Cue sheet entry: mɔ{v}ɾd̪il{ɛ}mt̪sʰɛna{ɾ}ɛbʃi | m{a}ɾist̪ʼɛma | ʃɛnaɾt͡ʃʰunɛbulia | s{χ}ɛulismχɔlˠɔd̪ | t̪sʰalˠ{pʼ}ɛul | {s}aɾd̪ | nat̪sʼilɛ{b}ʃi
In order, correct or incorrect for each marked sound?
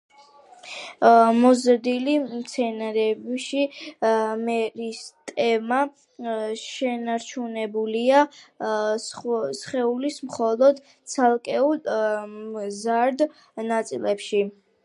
incorrect, incorrect, correct, incorrect, correct, incorrect, incorrect, incorrect

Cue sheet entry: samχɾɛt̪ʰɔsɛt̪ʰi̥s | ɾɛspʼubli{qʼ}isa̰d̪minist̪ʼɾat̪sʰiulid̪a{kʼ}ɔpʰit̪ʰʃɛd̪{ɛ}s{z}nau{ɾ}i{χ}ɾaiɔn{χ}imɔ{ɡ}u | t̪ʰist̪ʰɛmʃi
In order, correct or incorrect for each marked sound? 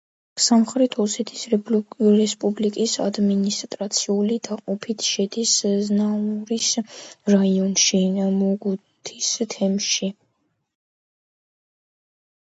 incorrect, incorrect, incorrect, correct, correct, incorrect, incorrect, correct

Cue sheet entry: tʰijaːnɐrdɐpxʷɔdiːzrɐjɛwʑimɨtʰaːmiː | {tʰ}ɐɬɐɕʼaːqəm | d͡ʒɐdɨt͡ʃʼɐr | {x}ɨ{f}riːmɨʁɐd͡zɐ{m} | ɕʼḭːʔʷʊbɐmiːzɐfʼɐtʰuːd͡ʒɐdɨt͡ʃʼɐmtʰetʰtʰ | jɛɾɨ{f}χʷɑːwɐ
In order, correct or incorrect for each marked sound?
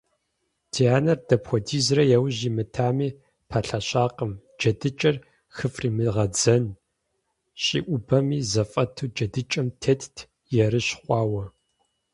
incorrect, correct, correct, incorrect, incorrect

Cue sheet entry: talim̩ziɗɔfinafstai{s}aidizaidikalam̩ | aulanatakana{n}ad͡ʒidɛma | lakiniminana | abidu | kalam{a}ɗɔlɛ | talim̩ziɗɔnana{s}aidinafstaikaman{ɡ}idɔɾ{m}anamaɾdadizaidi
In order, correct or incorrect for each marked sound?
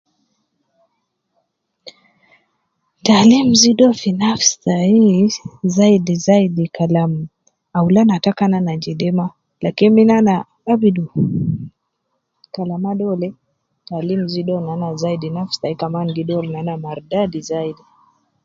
incorrect, correct, correct, incorrect, correct, incorrect

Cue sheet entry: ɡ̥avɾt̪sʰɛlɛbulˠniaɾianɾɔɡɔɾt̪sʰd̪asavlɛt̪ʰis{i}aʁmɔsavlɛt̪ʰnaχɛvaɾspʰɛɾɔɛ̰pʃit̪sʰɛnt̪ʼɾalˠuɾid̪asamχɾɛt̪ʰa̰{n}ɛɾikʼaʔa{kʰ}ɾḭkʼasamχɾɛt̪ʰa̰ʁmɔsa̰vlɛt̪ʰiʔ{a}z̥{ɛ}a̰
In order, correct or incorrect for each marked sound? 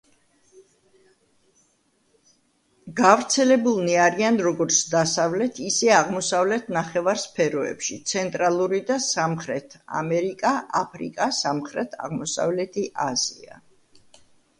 incorrect, incorrect, incorrect, correct, incorrect

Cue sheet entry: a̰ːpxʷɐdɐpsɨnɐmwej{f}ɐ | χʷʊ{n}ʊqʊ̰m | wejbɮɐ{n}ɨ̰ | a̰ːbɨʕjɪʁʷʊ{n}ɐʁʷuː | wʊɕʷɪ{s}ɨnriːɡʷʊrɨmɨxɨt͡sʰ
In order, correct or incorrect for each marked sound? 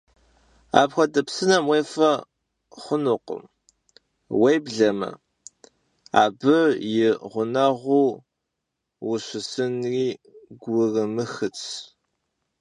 correct, correct, incorrect, correct, correct

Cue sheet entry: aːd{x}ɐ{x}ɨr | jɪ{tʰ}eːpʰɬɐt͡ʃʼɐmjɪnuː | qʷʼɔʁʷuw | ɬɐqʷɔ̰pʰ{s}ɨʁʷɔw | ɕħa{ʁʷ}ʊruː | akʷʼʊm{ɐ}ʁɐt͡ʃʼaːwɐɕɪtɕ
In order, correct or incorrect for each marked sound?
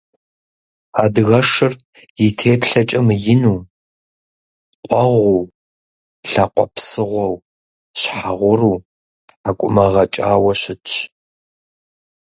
incorrect, incorrect, correct, correct, correct, correct

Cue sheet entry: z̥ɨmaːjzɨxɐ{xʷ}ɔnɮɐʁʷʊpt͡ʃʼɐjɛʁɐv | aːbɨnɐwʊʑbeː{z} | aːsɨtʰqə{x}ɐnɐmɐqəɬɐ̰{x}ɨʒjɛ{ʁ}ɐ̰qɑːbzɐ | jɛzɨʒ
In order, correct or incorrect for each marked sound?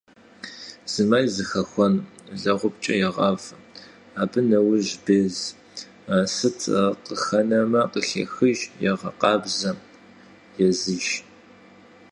correct, correct, correct, correct, correct

